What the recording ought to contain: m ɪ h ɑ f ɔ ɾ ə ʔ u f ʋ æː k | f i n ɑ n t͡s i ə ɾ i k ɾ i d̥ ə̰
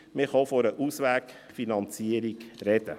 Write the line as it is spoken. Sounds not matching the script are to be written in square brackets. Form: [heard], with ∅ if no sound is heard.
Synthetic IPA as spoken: m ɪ [χ] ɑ f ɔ ɾ ə ʔ u [s] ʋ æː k | f i n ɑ n t͡s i ə ɾ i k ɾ [ɛ] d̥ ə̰